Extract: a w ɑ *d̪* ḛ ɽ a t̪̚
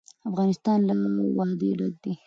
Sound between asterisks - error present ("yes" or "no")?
no